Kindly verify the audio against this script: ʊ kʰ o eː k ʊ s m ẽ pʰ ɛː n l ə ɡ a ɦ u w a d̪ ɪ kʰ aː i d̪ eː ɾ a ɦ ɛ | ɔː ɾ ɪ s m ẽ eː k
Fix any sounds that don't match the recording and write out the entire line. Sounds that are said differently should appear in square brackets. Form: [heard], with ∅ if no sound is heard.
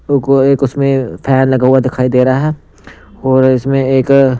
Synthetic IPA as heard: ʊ [k] o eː k ʊ s m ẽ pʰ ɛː n l [ɐ] ɡ a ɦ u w a d̪ ɪ kʰ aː i d̪ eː ɾ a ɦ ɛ | ɔː ɾ ɪ s m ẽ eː k

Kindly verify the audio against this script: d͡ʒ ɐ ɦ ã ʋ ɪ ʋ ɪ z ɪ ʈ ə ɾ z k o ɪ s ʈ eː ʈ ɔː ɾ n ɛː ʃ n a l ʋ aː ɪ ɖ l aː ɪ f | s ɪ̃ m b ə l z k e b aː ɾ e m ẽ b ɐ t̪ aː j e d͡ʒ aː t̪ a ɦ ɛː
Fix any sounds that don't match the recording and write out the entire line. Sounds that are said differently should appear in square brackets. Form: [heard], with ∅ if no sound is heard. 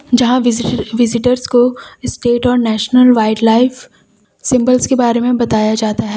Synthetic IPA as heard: d͡ʒ ɐ ɦ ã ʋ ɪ ʋ ɪ z ɪ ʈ ə ɾ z k o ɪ s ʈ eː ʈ ɔː ɾ n ɛː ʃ n [ə] l ʋ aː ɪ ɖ l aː ɪ f | s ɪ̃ m b ə l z k e b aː ɾ e m ẽ b ɐ t̪ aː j [a] d͡ʒ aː t̪ a ɦ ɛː

